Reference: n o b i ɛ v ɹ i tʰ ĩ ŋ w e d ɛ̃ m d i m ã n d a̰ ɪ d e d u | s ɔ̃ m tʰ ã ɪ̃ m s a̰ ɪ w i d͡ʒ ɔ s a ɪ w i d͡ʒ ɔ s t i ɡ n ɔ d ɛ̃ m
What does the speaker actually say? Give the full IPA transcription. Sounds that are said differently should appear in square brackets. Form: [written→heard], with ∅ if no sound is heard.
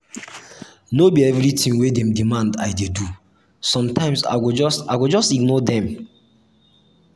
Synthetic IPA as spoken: n o b i ɛ v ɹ i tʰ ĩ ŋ w e d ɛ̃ m d i m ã n d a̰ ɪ d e d u | s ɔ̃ m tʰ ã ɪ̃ m s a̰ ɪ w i d͡ʒ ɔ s a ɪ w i d͡ʒ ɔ s t i ɡ n ɔ d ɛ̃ m